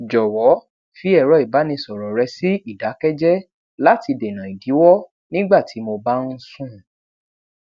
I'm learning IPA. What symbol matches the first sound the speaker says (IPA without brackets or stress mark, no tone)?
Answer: d͡ʒ